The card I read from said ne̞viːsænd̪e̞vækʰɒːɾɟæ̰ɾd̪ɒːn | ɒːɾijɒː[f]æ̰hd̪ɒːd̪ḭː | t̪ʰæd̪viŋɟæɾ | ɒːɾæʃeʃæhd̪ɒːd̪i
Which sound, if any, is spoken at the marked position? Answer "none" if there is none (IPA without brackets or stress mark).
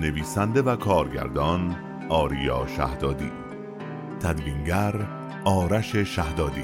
ʃ